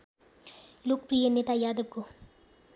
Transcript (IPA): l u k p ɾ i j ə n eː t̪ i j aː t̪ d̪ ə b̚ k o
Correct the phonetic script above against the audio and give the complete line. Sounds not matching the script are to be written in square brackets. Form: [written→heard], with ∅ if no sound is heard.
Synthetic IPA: l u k p ɾ i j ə n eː t̪ [i→a] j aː [t̪→∅] d̪ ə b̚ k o